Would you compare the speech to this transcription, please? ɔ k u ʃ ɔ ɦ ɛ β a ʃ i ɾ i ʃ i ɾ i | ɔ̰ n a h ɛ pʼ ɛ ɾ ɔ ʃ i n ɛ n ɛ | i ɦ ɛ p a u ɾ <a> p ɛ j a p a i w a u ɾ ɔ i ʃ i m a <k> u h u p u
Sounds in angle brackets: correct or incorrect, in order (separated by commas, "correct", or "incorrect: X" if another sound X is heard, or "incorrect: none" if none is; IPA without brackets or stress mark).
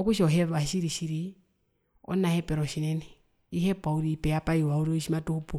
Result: incorrect: i, incorrect: t